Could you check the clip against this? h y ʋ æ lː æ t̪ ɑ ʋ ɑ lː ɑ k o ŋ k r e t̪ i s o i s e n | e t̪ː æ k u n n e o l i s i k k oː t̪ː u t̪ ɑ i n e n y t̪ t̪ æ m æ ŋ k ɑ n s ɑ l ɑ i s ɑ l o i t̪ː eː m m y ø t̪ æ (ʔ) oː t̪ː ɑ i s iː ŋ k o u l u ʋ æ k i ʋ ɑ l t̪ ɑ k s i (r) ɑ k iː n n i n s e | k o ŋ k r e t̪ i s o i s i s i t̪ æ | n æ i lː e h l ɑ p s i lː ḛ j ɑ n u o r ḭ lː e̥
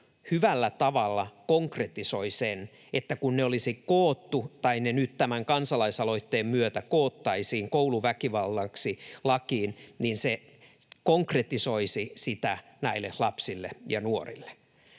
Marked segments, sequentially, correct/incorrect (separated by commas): incorrect, incorrect